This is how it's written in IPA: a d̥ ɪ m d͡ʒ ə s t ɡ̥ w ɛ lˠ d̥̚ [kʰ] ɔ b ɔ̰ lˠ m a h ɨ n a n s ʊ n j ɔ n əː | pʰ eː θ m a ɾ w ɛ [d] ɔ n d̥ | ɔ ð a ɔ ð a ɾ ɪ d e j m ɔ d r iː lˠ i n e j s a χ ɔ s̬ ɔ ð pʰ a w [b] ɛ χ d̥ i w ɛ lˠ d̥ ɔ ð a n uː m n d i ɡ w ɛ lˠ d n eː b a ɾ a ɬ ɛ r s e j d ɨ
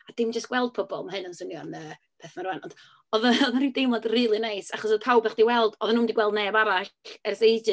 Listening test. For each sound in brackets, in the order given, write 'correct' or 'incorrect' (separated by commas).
incorrect, incorrect, correct